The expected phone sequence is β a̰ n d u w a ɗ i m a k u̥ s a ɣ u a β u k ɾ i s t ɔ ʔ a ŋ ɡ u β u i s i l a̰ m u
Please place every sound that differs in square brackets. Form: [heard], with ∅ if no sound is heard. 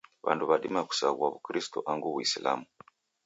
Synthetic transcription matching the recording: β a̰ n d u [β] a ɗ i m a k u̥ s a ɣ u a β u k ɾ i s t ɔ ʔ a ŋ ɡ u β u i s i l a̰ m u